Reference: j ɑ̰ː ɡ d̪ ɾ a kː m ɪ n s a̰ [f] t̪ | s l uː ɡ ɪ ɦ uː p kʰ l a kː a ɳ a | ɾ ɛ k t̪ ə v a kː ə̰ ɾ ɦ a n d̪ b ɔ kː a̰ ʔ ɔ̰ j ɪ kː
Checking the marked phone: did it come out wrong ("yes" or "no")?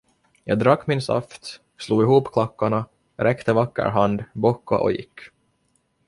no